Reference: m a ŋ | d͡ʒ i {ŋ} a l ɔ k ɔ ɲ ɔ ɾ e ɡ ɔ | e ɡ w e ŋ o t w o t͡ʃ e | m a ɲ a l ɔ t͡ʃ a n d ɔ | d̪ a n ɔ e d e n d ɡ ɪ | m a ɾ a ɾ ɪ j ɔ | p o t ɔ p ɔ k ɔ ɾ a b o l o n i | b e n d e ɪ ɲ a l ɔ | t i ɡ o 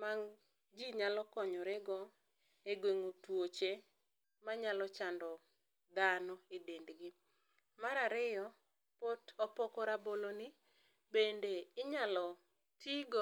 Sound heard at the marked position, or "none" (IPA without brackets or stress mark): ɲ